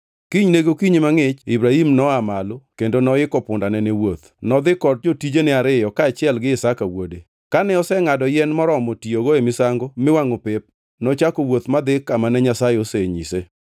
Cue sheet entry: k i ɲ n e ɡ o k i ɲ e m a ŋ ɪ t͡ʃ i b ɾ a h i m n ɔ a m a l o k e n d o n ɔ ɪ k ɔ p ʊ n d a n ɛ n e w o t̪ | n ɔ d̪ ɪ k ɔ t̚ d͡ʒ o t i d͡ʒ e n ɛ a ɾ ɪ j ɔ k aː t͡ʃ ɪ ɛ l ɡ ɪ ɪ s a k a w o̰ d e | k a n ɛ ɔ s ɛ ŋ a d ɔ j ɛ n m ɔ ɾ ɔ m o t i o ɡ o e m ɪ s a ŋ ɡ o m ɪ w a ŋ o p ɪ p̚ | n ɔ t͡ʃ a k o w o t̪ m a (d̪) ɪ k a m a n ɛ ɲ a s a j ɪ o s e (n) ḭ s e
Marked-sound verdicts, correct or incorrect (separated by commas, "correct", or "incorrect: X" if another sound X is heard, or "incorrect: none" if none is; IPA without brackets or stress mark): correct, incorrect: ɲ